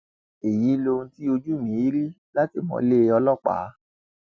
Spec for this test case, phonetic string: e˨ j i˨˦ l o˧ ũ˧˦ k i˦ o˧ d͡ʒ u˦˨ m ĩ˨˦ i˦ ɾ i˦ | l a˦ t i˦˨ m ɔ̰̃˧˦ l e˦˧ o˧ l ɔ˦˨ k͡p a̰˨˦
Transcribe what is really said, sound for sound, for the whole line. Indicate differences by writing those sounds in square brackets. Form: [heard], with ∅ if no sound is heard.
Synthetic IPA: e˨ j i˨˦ l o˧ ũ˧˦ [t] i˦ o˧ d͡ʒ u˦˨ m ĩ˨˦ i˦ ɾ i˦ | l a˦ t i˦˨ m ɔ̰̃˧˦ l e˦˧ [ɔ˧] l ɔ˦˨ k͡p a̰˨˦